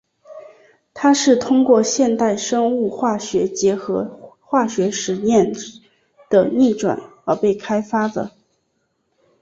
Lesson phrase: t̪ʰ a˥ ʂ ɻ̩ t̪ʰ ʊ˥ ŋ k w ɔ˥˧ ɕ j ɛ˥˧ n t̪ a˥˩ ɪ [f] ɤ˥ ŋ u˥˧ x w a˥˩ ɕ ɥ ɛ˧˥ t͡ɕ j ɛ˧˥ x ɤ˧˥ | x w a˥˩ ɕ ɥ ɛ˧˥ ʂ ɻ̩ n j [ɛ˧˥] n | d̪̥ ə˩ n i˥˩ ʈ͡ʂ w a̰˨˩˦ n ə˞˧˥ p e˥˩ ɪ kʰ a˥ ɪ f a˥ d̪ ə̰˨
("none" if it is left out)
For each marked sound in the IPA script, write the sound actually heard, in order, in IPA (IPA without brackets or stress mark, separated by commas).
ʂ, ɛ˥˩